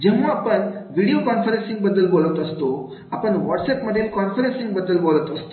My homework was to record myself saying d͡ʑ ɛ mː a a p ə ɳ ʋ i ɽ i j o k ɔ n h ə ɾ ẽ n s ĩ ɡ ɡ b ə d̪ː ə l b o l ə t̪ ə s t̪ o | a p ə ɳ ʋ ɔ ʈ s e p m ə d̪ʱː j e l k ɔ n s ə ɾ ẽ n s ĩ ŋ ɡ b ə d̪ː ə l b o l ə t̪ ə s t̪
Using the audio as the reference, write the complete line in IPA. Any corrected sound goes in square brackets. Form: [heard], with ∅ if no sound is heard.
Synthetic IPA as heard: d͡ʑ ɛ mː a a p ə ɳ ʋ i ɽ i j o k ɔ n [f] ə ɾ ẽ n s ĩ [ŋ] ɡ b ə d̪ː ə l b o l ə t̪ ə s t̪ o | a p ə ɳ ʋ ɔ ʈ s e p m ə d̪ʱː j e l k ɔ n [f] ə ɾ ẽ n s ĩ ŋ ɡ b ə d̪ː ə l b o l ə t̪ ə s t̪